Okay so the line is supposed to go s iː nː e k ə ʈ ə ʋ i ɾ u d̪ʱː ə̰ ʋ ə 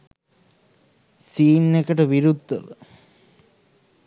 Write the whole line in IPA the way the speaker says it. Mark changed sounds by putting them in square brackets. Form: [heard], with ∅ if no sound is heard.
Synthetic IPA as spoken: s iː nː e k ə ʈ ə ʋ i ɾ u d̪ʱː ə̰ ʋ ə